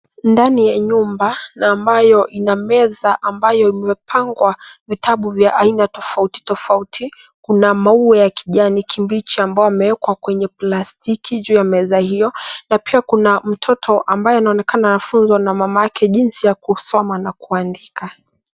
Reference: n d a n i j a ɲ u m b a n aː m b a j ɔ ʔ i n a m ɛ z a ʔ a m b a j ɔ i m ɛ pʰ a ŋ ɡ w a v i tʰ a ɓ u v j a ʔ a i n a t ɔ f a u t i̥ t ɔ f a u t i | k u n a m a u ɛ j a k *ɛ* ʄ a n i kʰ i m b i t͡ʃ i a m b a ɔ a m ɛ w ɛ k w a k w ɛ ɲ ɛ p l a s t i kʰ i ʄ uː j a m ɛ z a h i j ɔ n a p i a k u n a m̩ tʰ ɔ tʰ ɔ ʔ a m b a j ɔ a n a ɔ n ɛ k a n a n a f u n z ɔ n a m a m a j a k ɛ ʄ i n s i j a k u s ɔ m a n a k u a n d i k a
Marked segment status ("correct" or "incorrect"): incorrect